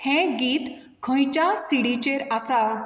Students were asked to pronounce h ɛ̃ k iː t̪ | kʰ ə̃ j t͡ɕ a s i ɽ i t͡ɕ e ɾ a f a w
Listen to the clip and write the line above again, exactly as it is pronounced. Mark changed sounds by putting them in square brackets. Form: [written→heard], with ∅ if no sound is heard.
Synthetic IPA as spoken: h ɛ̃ [k→ɡ] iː t̪ | kʰ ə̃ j t͡ɕ a s i ɽ i t͡ɕ e ɾ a [f→s] a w